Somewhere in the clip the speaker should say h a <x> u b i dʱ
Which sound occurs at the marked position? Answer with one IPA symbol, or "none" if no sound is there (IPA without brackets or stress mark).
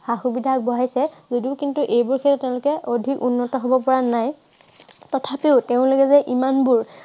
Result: x